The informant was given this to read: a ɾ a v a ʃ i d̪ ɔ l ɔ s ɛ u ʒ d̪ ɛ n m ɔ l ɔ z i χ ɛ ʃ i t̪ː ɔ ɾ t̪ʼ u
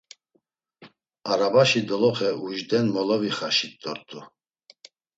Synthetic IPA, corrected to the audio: a ɾ a b a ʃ i d̪ ɔ l ɔ χ ɛ u ʒ d̪ ɛ n m ɔ l ɔ v i χ a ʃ i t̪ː ɔ ɾ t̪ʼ u